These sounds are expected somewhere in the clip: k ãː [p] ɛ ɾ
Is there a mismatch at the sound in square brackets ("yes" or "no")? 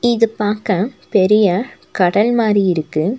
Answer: no